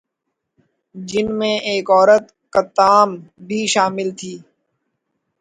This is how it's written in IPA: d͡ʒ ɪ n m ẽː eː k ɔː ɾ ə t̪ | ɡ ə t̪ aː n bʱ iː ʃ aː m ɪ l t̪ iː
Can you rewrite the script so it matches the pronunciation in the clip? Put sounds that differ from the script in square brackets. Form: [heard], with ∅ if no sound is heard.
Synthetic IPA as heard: d͡ʒ ɪ n m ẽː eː k ɔː ɾ ə t̪ | [k] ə t̪ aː [m] bʱ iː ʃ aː m ɪ l [t̪ʰ] iː

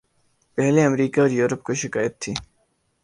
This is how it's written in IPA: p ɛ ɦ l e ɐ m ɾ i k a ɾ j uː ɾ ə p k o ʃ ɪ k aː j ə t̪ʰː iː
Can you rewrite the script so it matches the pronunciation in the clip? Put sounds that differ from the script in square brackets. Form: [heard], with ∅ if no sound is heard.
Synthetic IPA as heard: p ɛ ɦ l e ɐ m ɾ [iː] k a ɾ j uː ɾ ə p k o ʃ ɪ k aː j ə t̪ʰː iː

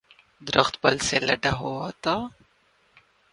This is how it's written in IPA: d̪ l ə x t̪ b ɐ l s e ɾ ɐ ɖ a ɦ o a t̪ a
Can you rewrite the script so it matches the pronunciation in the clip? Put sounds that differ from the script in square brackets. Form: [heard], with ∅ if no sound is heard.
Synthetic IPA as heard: d̪ [ɾ] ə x t̪ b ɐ l s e [l] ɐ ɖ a ɦ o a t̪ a

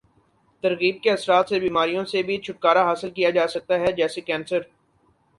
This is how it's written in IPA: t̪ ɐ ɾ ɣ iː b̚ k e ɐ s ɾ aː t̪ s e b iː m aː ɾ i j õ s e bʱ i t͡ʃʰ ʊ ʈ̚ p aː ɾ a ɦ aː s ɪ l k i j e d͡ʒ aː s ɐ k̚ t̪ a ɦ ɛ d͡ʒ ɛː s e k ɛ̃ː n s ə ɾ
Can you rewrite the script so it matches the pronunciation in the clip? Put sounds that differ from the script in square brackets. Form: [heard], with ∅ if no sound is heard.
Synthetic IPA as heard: t̪ ɐ ɾ ɣ iː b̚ k e ɐ s ɾ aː t̪ s e b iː m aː ɾ i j õ s e bʱ i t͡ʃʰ ʊ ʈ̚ [k] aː ɾ a ɦ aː s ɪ l k i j [a] d͡ʒ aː s ɐ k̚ t̪ a ɦ ɛ d͡ʒ ɛː s e k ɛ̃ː n s ə ɾ

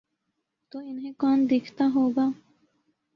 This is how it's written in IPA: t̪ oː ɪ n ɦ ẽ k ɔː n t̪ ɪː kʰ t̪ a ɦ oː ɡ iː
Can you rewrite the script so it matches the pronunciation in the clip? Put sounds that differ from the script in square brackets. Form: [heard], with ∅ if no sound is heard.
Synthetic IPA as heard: t̪ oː ɪ n ɦ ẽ k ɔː n [d̪] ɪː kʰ t̪ a ɦ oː ɡ [aː]

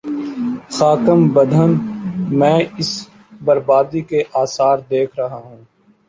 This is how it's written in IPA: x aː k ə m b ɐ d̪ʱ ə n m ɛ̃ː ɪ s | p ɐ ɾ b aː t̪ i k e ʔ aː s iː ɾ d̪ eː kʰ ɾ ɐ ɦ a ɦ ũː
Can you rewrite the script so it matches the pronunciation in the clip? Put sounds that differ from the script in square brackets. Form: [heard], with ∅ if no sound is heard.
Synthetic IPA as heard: x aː k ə m b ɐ d̪ʱ ə n m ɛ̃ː ɪ s | [b] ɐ ɾ b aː [d̪] i k e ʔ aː s [aː] ɾ d̪ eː kʰ ɾ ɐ ɦ a ɦ ũː

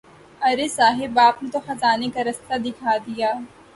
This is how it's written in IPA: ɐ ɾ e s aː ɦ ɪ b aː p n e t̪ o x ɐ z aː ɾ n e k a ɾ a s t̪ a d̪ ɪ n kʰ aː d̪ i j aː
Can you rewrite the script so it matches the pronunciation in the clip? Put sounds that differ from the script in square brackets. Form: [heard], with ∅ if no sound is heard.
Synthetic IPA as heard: ɐ ɾ e s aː ɦ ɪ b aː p n e t̪ o x ɐ z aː [∅] n e k a ɾ [ɐ] s t̪ a d̪ ɪ [∅] kʰ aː d̪ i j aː

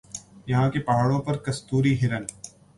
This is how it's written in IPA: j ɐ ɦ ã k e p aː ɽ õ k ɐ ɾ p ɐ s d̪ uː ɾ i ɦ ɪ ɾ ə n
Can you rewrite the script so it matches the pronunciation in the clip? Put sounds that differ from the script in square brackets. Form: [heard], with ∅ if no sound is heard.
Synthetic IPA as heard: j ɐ ɦ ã k e p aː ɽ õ [p] ɐ ɾ [k] ɐ s [t̪] uː ɾ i ɦ ɪ ɾ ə n

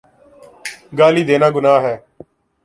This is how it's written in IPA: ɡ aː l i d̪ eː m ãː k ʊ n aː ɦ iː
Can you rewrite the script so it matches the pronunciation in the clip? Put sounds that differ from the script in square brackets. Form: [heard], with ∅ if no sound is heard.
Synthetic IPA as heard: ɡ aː l [iː] d̪ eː [n] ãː [ɡ] ʊ n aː ɦ [ɛː]

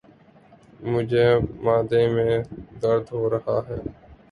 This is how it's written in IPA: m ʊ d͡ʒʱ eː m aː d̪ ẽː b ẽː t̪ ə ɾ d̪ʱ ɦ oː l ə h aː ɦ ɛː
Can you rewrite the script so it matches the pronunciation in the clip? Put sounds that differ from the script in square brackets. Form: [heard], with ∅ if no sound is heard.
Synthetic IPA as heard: m ʊ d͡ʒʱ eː m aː d̪ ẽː [m] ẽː [d̪] ə ɾ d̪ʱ ɦ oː [ɾ] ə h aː ɦ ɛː

